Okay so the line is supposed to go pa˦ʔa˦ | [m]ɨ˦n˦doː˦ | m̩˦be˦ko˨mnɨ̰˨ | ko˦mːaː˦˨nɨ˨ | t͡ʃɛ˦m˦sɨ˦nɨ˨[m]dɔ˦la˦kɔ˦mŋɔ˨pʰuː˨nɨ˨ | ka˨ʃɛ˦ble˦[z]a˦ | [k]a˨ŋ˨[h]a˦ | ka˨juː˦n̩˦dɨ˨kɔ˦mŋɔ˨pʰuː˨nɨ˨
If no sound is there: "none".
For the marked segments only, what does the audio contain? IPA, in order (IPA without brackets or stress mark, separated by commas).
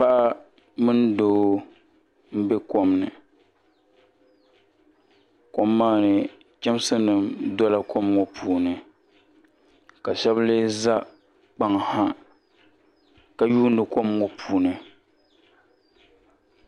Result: m, m, z, k͡p, h